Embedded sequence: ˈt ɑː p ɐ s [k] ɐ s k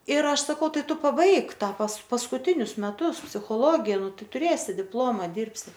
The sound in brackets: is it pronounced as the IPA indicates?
no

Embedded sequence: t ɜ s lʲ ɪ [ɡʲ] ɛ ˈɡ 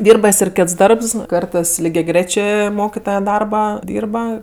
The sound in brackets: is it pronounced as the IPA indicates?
yes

